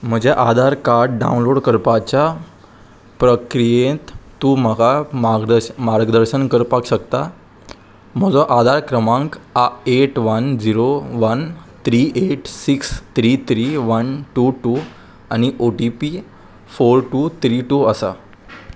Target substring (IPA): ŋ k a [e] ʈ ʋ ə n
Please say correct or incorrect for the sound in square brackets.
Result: correct